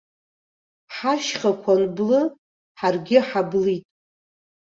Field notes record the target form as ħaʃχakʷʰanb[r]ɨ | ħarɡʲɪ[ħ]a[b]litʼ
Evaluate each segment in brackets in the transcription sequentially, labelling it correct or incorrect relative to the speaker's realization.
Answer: incorrect: l, correct, correct

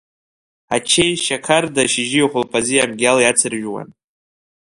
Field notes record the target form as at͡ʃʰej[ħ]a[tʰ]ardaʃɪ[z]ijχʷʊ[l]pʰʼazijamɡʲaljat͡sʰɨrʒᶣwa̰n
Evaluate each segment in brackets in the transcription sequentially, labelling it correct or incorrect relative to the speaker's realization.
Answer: incorrect: ʃ, incorrect: kʰ, incorrect: ʒ, correct

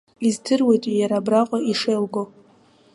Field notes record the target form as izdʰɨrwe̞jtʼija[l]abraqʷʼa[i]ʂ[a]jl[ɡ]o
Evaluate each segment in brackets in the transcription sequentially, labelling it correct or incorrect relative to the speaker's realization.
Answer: incorrect: ɾ, correct, incorrect: e, correct

